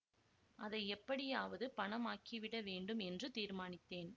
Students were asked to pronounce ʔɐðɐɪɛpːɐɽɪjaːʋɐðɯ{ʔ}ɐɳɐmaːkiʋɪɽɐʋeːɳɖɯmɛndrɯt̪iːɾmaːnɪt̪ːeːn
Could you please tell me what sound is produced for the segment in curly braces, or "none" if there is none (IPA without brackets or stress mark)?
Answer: p